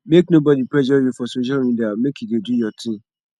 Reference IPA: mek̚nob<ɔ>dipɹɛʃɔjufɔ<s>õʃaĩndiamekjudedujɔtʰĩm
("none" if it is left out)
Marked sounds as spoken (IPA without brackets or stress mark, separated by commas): ɔ, s